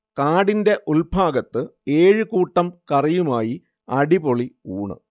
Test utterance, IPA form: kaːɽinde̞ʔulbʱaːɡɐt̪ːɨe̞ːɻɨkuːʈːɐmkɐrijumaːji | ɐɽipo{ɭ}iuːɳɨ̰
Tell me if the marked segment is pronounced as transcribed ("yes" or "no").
yes